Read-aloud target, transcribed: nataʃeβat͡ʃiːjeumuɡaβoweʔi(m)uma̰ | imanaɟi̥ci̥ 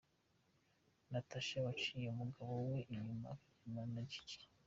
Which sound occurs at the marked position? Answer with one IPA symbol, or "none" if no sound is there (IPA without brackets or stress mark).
ɲ